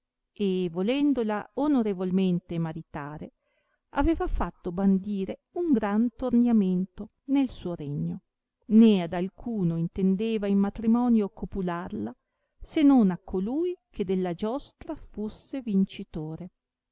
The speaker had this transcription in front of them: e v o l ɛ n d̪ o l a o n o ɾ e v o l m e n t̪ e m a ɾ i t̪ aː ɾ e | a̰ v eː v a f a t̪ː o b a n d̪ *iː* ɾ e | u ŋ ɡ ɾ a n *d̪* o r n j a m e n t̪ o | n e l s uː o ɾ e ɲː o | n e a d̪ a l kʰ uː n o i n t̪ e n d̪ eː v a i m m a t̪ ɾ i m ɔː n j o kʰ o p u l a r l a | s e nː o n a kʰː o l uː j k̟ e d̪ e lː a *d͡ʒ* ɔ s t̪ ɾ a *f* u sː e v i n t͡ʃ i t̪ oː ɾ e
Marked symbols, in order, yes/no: yes, no, yes, yes

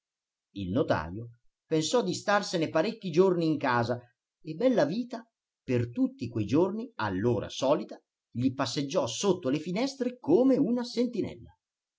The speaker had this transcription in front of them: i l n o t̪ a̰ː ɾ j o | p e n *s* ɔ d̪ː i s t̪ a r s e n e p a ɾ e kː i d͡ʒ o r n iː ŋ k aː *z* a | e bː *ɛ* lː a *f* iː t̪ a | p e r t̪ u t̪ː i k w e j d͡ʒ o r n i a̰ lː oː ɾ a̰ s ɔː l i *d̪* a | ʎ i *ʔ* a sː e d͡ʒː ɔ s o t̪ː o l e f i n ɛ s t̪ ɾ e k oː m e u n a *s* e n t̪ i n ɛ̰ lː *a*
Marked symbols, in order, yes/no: yes, yes, yes, no, no, no, yes, yes

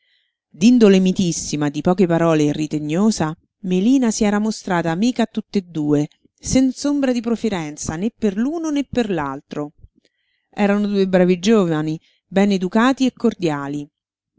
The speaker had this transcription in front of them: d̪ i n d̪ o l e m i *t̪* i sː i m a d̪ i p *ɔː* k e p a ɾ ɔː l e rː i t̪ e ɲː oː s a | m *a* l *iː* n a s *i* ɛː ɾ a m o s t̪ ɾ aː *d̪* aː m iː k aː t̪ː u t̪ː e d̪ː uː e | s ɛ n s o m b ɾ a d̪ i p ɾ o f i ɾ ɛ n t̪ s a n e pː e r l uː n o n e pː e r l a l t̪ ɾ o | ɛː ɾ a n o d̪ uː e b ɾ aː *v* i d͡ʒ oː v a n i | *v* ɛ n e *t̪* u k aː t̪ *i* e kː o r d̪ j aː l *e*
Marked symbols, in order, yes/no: yes, yes, no, yes, yes, no, yes, no, no, yes, no

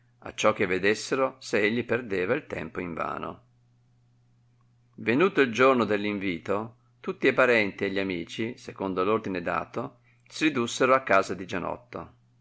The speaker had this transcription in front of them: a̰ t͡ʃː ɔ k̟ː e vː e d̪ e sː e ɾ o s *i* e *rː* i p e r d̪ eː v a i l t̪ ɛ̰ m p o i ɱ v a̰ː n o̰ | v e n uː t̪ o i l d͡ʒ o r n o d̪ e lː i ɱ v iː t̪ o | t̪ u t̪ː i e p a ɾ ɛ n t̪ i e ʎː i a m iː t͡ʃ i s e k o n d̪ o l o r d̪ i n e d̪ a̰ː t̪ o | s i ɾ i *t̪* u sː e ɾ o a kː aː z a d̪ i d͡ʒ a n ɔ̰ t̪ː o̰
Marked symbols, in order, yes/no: no, no, no

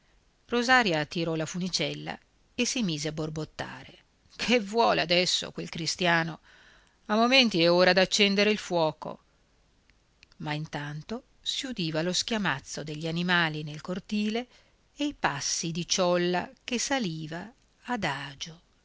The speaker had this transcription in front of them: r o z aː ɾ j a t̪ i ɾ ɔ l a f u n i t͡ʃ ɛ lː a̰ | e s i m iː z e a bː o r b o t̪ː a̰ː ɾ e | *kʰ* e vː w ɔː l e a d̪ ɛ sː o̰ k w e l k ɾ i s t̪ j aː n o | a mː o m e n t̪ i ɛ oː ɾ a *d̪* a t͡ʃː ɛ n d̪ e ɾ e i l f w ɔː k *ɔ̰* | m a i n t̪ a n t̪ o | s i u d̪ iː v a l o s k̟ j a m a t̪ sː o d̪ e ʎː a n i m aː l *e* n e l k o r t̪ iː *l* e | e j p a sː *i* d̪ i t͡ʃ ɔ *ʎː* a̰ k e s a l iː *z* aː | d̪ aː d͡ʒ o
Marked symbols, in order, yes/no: yes, yes, no, no, yes, yes, no, no

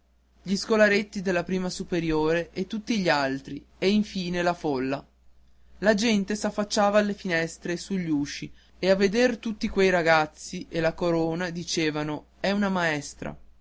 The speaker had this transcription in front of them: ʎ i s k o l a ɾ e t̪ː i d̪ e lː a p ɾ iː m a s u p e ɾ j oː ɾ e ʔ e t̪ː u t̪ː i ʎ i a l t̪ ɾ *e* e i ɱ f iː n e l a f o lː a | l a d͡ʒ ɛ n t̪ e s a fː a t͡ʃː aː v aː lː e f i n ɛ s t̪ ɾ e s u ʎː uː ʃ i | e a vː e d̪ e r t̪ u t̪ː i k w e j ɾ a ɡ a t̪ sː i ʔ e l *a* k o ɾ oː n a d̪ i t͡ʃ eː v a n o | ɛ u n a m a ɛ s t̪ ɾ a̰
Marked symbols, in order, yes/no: no, yes

